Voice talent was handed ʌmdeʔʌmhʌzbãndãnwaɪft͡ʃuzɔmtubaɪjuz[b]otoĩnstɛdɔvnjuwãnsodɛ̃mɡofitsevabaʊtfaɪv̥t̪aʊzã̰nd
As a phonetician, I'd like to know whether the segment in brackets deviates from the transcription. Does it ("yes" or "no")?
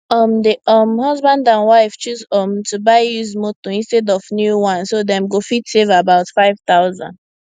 yes